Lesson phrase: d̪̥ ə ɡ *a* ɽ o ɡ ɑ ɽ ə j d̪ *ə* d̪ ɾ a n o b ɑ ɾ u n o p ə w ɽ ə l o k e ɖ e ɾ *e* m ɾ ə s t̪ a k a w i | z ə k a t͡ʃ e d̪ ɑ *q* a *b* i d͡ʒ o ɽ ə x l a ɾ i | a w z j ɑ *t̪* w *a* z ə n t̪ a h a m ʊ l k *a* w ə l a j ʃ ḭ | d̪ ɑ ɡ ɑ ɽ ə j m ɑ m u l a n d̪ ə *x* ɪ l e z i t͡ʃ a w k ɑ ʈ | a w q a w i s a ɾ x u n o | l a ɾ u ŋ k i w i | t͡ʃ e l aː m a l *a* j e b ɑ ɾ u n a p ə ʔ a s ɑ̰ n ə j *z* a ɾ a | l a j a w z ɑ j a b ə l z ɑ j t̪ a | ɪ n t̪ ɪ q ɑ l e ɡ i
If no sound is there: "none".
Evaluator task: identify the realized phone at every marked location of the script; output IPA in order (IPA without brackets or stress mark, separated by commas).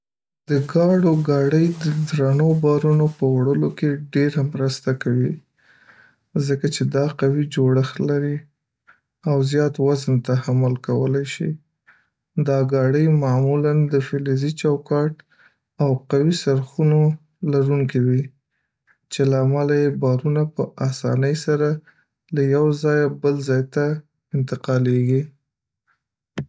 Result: ɑ, ə, a, q, w, t̪, a, a, f, a, s